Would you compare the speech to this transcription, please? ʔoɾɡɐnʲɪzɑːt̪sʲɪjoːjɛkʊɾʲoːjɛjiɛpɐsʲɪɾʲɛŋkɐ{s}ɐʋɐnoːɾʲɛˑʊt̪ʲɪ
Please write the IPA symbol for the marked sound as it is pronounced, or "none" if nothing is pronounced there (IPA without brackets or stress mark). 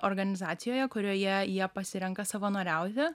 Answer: s